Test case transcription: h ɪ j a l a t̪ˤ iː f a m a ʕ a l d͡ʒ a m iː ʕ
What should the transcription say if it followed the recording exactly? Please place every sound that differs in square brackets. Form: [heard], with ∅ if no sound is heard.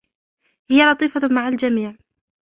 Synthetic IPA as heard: h ɪ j a l [ɑ] t̪ˤ iː f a m a ʕ a l d͡ʒ a m iː ʕ